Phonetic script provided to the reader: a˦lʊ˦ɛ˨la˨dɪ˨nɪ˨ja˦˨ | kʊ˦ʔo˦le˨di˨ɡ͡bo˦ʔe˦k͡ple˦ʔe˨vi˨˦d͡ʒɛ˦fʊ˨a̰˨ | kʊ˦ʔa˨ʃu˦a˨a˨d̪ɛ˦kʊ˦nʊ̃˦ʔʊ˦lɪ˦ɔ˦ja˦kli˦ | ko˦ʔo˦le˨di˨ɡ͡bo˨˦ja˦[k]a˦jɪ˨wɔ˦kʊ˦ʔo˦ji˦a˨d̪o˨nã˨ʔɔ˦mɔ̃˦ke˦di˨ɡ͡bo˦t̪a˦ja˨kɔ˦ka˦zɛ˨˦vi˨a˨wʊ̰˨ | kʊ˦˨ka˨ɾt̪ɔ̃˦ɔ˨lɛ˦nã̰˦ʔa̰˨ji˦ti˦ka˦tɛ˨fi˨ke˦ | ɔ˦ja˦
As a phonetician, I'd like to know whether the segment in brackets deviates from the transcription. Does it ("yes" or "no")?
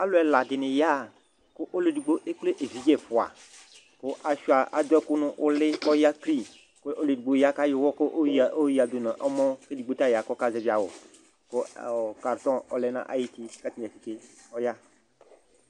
no